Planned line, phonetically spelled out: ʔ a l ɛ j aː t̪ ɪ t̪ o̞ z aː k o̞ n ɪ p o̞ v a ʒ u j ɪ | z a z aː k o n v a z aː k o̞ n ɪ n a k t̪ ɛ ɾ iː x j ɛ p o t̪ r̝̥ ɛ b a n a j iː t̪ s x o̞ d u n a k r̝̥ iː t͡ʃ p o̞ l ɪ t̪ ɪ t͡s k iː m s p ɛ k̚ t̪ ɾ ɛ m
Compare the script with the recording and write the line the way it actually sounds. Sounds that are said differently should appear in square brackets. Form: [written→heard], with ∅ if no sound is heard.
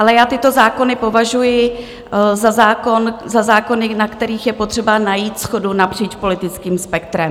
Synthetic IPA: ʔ a l ɛ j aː t̪ ɪ t̪ o̞ z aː k o̞ n ɪ p o̞ v a ʒ u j ɪ | z a z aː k o n [v→z] a z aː k o̞ n ɪ n a k t̪ ɛ ɾ iː x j ɛ p o t̪ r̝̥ ɛ b a n a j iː t̪ s x o̞ d u n a [k→p] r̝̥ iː t͡ʃ p o̞ l ɪ t̪ ɪ t͡s k iː m s p ɛ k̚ t̪ ɾ ɛ m

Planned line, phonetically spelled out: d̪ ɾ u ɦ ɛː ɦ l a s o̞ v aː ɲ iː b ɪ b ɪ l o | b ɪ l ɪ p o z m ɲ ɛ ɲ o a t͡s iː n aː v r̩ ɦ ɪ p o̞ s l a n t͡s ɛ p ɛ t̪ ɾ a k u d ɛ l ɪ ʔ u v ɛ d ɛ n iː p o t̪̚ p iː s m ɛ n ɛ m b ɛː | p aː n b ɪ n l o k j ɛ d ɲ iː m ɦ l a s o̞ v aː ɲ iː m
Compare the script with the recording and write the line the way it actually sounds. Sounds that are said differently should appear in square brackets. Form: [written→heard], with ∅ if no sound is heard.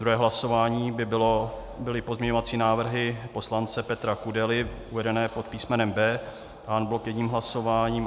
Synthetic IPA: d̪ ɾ u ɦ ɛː ɦ l a s o̞ v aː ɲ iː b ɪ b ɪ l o | b ɪ l ɪ p o z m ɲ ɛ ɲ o a t͡s iː n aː v r̩ ɦ ɪ p o̞ s l a n t͡s ɛ p ɛ t̪ ɾ a k u d ɛ l ɪ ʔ u v ɛ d ɛ n [iː→ɛː] p o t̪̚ p iː s m ɛ n ɛ m b ɛː | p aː n b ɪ [n→∅] l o k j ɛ d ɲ iː m ɦ l a s o̞ v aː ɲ iː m

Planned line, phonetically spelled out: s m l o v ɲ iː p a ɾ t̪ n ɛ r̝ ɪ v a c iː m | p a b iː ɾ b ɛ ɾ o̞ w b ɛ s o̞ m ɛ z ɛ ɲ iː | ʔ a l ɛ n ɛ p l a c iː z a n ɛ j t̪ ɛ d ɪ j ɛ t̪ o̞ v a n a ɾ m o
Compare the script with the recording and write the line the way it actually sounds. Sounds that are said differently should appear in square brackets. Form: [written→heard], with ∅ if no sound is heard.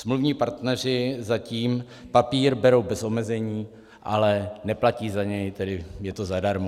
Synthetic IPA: s m l [o→u] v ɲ iː p a ɾ t̪ n ɛ r̝ ɪ [v→z] a c iː m | p a [b→p] iː ɾ b ɛ ɾ o̞ w b ɛ s o̞ m ɛ z ɛ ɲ iː | ʔ a l ɛ n ɛ p l a c iː z a [n→ɲ] ɛ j t̪ ɛ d ɪ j ɛ t̪ o̞ [v→z] a [n→d] a ɾ m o

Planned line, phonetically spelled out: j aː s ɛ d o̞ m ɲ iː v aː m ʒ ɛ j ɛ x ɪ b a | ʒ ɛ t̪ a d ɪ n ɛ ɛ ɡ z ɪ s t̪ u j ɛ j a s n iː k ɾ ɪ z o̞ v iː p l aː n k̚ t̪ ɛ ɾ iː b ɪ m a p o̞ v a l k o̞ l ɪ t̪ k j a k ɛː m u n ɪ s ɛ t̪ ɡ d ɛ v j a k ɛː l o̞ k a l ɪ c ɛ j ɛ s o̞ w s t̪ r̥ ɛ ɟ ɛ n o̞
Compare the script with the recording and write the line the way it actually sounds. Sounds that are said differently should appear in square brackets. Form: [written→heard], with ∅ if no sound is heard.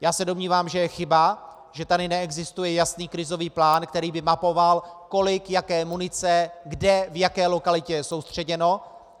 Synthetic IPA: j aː s ɛ d o̞ m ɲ iː v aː m ʒ ɛ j ɛ x ɪ b a | ʒ ɛ t̪ a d ɪ n ɛ ɛ ɡ z ɪ s t̪ u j ɛ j a s n iː k ɾ ɪ z o̞ v iː p l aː n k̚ t̪ ɛ ɾ iː b ɪ m a p o̞ v a l k o̞ l ɪ [t̪→∅] k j a k ɛː m u n ɪ [s→t͡s] ɛ [t̪→∅] ɡ d ɛ v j a k ɛː l o̞ k a l ɪ c ɛ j ɛ s o̞ w s t̪ r̥ ɛ ɟ ɛ n o̞

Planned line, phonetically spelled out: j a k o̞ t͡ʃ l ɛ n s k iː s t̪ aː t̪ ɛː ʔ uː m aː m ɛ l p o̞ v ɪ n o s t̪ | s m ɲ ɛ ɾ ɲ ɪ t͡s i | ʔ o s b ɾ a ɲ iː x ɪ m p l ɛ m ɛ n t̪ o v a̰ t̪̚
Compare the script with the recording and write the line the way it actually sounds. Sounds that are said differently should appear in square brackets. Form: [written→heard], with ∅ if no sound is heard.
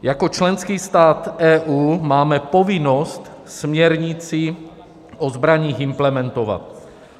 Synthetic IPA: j a k o̞ t͡ʃ l ɛ n s k iː s t̪ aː t̪ ɛː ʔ uː m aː m ɛ [l→∅] p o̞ v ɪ n o s t̪ | s m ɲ ɛ ɾ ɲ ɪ t͡s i | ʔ o [s→z] b ɾ a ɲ iː x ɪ m p l ɛ m ɛ n t̪ o v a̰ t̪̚

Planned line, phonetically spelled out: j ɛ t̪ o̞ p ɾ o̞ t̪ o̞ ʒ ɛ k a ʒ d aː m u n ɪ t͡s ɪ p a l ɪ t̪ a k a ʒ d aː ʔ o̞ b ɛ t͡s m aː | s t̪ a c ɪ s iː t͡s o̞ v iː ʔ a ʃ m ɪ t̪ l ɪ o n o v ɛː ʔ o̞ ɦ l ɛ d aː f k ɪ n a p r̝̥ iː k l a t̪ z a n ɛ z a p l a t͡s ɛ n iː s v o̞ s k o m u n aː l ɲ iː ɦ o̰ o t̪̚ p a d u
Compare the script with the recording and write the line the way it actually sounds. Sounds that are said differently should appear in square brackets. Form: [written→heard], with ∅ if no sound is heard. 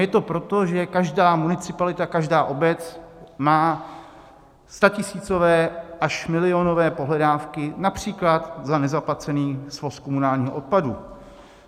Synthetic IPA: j ɛ t̪ o̞ p ɾ o̞ t̪ o̞ ʒ ɛ k a ʒ d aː m u n ɪ t͡s ɪ p a l ɪ t̪ a k a ʒ d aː ʔ o̞ b ɛ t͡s m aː | s t̪ a c ɪ s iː t͡s o̞ v [iː→ɛː] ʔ a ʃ m ɪ [t̪→∅] l ɪ o n o v ɛː [ʔ→p] o̞ ɦ l ɛ d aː f k ɪ n a p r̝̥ iː k l a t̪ z a n ɛ z a p l a t͡s ɛ n iː s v o̞ s k o m u n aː l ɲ iː ɦ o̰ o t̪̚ p a d u

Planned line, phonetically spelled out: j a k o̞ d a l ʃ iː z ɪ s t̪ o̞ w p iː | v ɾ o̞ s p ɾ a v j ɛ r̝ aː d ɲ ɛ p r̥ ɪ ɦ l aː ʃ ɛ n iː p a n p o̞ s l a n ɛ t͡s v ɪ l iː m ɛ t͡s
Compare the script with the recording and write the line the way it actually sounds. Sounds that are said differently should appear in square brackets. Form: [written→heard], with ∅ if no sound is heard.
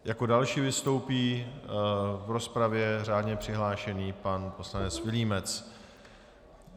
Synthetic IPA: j a k o̞ d a l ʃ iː [z→v] ɪ s t̪ o̞ w p iː | v ɾ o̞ s p ɾ a v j ɛ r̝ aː d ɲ ɛ p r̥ ɪ ɦ l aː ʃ ɛ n iː p a n p o̞ s l a n ɛ t͡s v ɪ l iː m ɛ t͡s

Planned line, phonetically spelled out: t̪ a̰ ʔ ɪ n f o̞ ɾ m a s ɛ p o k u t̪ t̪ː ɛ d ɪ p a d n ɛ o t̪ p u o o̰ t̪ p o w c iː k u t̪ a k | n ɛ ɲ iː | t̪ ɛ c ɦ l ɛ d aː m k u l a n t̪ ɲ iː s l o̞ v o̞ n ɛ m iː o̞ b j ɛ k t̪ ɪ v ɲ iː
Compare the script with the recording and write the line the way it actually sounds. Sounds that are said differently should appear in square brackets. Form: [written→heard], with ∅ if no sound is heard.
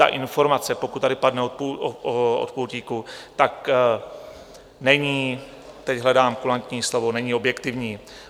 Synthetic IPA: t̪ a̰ ʔ ɪ n f o̞ ɾ m a [s→t͡s] ɛ p o k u t̪ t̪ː [ɛ→a] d ɪ p a d n ɛ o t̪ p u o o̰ t̪ p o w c iː k u t̪ a k | n ɛ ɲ iː | t̪ ɛ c ɦ l ɛ d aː m k u l a n t̪ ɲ iː s l o̞ v o̞ n ɛ [m→ɲ] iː o̞ b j ɛ k t̪ ɪ v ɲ iː

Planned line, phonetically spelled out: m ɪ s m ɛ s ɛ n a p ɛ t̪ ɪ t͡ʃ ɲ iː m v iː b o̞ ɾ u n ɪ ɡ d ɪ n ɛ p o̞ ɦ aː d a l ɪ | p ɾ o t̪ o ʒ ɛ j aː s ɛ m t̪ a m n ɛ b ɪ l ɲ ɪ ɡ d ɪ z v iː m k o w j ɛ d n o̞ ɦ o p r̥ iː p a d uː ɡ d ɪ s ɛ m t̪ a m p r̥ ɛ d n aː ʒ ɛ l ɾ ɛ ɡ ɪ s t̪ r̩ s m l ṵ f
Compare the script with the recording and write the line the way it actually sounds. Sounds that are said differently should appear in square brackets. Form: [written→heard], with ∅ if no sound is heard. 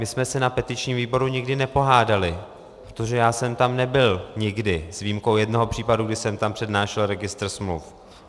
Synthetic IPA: m ɪ s m ɛ s ɛ n a p ɛ t̪ ɪ t͡ʃ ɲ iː m v iː b o̞ ɾ u [n→ɲ] ɪ ɡ d ɪ n ɛ p o̞ ɦ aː d a l ɪ | p ɾ o t̪ o ʒ ɛ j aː s ɛ m t̪ a m n ɛ b ɪ l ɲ ɪ ɡ d ɪ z v iː m k o w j ɛ d n o̞ ɦ o p r̥ iː p a d [uː→u] ɡ d ɪ s ɛ m t̪ a m p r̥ ɛ d n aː [ʒ→ʃ] ɛ l ɾ ɛ ɡ ɪ s t̪ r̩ s m l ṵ f

